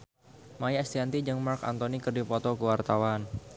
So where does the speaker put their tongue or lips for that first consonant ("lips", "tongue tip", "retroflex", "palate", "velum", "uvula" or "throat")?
lips